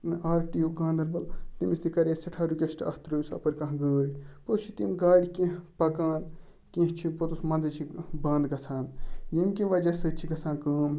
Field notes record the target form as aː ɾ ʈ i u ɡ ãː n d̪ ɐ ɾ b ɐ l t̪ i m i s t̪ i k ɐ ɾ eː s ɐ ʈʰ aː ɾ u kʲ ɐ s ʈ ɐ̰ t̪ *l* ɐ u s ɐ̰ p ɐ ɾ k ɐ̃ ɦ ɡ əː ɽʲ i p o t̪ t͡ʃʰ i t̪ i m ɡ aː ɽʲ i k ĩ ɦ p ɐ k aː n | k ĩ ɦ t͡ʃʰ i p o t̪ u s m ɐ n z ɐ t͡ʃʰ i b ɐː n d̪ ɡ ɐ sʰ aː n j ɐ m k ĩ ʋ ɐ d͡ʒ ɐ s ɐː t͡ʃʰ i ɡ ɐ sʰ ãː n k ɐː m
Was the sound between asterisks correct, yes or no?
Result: no